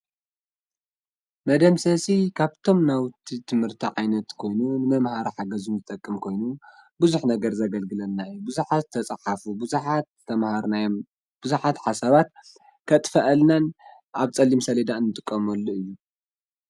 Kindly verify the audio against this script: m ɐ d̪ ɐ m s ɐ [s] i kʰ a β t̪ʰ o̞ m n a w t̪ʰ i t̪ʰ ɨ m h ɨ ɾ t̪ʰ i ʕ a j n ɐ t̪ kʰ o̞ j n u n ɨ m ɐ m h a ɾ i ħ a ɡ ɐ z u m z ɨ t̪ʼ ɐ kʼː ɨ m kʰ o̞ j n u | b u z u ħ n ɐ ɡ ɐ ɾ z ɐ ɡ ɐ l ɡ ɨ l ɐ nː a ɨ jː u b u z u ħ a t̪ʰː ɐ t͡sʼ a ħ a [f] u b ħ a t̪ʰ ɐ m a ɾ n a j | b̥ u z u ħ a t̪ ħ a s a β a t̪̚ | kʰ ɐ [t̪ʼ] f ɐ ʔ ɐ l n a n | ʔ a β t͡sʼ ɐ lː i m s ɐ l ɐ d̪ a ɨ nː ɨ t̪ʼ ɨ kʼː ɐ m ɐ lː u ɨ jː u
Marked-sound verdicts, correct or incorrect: correct, correct, correct

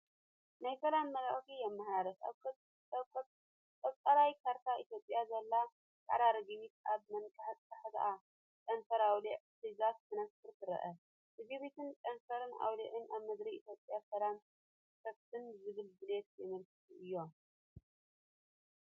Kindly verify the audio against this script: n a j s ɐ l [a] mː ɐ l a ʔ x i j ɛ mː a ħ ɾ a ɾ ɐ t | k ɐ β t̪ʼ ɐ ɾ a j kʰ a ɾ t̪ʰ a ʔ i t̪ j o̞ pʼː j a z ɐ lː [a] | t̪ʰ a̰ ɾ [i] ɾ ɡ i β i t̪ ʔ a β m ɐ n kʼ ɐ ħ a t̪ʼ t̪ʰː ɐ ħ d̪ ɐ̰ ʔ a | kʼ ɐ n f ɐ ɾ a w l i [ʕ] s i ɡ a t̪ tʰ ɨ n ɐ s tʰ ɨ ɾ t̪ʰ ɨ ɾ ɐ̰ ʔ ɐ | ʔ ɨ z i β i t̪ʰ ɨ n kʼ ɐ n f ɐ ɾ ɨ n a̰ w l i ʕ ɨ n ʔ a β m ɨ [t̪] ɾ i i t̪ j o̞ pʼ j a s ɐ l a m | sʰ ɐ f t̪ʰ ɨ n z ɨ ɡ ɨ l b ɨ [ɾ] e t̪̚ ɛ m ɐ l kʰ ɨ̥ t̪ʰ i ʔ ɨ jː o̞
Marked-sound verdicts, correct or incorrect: correct, correct, incorrect, correct, incorrect, incorrect

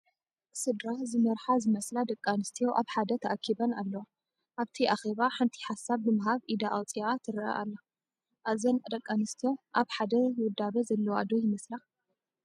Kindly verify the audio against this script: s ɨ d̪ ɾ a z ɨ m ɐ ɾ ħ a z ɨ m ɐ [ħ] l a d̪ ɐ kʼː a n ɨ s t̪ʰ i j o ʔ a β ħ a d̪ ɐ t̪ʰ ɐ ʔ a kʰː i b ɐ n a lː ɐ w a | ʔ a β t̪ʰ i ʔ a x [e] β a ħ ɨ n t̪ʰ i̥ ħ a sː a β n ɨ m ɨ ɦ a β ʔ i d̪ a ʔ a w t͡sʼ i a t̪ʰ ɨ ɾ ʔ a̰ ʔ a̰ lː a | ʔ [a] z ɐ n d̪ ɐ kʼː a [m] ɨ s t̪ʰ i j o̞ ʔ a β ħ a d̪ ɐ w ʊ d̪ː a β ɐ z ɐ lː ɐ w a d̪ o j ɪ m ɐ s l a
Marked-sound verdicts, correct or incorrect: incorrect, correct, correct, incorrect

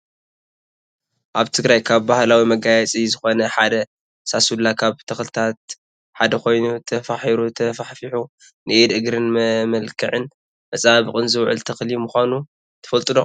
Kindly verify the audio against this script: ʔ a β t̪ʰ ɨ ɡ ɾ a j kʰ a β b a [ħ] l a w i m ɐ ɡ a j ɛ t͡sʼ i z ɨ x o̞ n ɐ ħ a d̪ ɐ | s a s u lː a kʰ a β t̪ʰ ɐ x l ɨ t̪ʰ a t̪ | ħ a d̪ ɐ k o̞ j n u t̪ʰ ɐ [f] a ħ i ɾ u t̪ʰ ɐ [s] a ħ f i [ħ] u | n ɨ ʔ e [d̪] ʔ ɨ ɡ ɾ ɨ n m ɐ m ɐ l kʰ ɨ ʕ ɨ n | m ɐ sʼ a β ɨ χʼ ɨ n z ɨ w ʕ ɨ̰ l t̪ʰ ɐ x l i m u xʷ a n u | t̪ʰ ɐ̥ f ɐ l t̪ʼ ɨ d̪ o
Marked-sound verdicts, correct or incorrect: incorrect, correct, incorrect, correct, correct

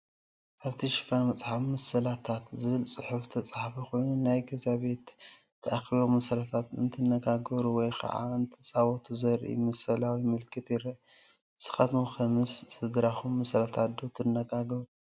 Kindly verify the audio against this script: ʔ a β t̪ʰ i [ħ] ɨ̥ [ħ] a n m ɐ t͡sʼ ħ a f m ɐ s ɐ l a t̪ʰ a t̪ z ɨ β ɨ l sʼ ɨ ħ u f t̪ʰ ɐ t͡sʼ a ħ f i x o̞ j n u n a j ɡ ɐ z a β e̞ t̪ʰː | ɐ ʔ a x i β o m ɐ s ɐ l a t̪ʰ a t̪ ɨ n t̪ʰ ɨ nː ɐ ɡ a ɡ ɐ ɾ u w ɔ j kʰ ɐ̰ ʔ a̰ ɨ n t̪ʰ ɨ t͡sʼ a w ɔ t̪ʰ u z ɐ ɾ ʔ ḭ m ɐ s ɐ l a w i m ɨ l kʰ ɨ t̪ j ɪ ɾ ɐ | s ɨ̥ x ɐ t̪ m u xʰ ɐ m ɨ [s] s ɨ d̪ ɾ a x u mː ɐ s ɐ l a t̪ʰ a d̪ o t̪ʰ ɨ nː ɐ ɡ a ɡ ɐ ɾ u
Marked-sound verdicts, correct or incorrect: incorrect, incorrect, correct

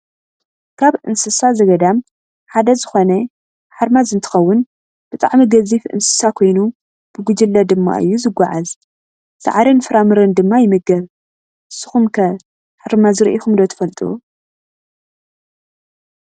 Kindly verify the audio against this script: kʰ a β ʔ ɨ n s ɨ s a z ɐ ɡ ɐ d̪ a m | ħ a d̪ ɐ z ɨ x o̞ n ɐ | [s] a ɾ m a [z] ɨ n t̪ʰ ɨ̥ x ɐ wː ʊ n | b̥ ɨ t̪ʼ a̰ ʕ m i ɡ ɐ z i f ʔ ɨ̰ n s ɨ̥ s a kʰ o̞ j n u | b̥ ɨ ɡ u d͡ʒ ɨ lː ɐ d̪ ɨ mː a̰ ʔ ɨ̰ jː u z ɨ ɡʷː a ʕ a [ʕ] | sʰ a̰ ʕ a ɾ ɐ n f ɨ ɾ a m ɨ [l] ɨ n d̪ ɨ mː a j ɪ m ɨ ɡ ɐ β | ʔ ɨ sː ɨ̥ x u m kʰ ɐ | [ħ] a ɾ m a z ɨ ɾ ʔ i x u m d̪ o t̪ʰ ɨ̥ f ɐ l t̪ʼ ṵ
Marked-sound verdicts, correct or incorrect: incorrect, correct, incorrect, incorrect, correct

